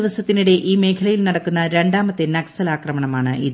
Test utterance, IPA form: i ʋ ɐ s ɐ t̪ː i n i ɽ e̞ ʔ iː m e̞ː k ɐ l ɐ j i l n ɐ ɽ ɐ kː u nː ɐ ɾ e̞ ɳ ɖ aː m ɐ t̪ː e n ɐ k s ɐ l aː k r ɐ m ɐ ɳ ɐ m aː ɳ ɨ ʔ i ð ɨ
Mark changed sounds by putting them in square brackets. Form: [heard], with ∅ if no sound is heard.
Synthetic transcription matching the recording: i ʋ ɐ s ɐ t̪ː i n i ɽ e̞ ʔ iː m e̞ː [kʰ] ɐ l ɐ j i l n ɐ ɽ ɐ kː u nː ɐ ɾ e̞ ɳ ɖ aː m ɐ t̪ː e n ɐ k s ɐ l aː k r ɐ m ɐ ɳ ɐ m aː ɳ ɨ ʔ i ð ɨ